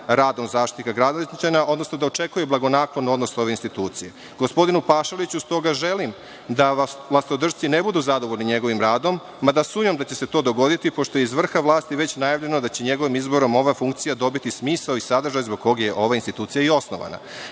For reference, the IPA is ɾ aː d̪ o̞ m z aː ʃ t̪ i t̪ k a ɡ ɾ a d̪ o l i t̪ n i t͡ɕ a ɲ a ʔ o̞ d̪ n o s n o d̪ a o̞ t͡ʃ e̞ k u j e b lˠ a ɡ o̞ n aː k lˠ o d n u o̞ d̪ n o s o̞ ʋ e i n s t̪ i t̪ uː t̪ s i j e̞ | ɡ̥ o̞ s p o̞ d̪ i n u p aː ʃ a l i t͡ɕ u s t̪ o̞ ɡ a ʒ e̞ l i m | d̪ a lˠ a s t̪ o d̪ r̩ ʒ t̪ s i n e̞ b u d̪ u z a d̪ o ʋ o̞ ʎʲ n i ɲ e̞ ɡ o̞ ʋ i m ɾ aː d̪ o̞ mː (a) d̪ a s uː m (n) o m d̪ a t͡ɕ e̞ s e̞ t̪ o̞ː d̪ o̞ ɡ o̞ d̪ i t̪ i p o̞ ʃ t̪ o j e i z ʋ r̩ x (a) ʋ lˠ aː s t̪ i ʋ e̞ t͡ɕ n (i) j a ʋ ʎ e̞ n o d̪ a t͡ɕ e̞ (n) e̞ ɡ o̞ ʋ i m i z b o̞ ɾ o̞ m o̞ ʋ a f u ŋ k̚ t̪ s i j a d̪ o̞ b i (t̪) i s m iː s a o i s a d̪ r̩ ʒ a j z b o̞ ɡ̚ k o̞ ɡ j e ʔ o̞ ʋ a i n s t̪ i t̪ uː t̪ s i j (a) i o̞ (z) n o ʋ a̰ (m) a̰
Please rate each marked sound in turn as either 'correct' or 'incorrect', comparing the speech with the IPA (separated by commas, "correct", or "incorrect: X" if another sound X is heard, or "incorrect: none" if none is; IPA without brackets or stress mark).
correct, incorrect: ɲ, correct, incorrect: a, incorrect: ɲ, correct, correct, incorrect: s, incorrect: n